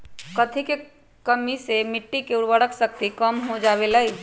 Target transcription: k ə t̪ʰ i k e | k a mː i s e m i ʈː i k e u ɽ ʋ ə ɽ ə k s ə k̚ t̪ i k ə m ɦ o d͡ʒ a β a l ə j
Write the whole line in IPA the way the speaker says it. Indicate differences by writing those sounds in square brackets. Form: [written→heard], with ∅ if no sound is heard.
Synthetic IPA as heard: k ə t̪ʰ i k e | k [a→ə] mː i s e m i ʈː i k e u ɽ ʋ ə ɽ ə k s ə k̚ t̪ i k ə m ɦ o d͡ʒ a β [a→e] l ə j